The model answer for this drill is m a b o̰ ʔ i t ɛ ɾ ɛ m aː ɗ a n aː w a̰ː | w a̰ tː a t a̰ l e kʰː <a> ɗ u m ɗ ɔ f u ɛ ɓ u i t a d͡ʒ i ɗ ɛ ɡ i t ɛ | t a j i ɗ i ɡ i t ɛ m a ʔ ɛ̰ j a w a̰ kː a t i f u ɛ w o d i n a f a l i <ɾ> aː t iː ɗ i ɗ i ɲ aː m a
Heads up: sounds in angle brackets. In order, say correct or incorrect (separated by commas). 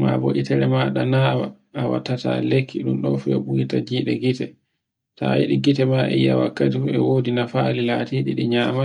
incorrect, incorrect